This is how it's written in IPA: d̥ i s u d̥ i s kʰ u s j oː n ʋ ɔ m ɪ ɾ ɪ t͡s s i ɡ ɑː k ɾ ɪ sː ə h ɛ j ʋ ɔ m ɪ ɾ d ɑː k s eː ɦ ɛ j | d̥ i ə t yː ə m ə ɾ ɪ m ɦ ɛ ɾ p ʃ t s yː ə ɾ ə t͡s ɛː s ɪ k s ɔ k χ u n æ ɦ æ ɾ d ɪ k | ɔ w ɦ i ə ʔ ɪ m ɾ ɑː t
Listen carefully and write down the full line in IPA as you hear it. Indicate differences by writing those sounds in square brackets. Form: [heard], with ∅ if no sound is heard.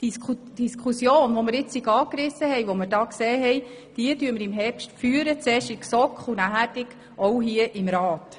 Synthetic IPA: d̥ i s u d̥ i s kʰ u s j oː n ʋ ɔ m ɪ ɾ ɪ t͡s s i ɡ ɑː k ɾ ɪ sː ə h ɛ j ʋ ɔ m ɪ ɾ d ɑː k s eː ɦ ɛ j | d̥ i ə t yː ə m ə ɾ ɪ m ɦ ɛ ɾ p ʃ t [f] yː ə ɾ ə t͡s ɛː [ʃ] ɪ k s ɔ k χ u n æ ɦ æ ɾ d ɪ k | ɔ w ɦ i ə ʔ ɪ m ɾ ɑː t

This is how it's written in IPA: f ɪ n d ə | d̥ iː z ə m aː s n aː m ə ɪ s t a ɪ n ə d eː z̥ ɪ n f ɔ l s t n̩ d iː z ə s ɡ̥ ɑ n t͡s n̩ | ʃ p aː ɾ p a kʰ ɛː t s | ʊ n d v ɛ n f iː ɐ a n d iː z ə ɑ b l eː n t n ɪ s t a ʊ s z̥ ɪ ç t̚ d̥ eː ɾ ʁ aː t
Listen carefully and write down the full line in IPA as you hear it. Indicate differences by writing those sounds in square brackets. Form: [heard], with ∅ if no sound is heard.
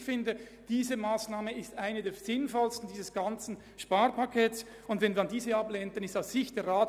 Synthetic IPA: f ɪ n d ə | d̥ iː z ə m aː s n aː m ə ɪ s t a ɪ n ə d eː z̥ ɪ n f ɔ l s t n̩ d iː z ə s ɡ̥ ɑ n t͡s n̩ | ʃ p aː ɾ p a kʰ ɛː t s | ʊ n d v ɛ n [v] iː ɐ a n d iː z ə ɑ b l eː n t n ɪ s t a ʊ s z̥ ɪ ç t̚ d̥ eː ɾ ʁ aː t

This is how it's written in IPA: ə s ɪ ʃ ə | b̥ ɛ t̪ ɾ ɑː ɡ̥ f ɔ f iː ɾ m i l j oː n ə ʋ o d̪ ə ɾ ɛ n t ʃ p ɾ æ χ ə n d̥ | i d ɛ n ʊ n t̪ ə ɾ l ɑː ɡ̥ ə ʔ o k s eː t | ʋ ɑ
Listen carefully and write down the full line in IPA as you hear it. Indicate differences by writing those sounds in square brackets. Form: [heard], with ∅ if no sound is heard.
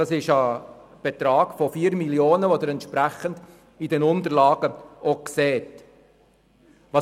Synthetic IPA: [ɑ] s ɪ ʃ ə | b̥ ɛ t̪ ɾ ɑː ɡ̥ f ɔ f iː ɾ m i l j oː n ə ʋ o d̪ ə ɾ ɛ n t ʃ p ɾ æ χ ə n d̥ | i d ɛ n ʊ n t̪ ə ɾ l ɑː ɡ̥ ə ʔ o k s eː t | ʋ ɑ

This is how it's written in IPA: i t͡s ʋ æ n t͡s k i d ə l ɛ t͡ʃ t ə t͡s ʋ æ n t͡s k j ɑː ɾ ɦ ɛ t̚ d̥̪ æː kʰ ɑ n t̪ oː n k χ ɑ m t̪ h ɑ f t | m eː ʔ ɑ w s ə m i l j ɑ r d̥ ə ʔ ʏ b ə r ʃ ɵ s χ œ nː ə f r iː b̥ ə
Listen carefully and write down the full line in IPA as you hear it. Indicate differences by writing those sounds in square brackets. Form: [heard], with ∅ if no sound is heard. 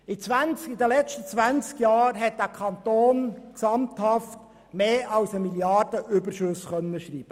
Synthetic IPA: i t͡s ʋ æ n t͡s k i d ə l ɛ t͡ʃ t ə t͡s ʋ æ n t͡s k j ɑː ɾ ɦ ɛ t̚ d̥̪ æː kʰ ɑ n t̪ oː n k [s] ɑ m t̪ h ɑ f t | m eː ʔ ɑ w s ə m i l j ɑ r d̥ ə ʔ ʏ b ə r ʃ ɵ s χ œ nː ə [ʃ] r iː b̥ ə

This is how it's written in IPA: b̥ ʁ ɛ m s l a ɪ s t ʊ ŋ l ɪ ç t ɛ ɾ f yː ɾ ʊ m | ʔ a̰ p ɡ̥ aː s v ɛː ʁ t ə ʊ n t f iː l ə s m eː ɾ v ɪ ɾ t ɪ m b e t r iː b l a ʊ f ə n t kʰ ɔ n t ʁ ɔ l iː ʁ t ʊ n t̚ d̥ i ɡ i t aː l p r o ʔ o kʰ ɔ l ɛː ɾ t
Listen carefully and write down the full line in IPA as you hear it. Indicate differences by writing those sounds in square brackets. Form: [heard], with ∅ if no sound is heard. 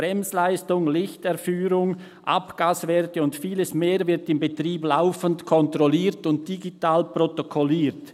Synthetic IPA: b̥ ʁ ɛ m s l a ɪ s t ʊ ŋ l ɪ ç t ɛ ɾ f yː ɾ ʊ [ŋ] | ʔ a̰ p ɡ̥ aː s v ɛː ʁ t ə ʊ n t f iː l ə s m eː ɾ v ɪ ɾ t ɪ m b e t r iː b l a ʊ f ə n t kʰ ɔ n t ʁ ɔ l iː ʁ t ʊ n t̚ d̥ i ɡ i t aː l p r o [t] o kʰ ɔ l [iː] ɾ t

